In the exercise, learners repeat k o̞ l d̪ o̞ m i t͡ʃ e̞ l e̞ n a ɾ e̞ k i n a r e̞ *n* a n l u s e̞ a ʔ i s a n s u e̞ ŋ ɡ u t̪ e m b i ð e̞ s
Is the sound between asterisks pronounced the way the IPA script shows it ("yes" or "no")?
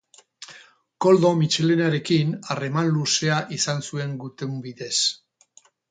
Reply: no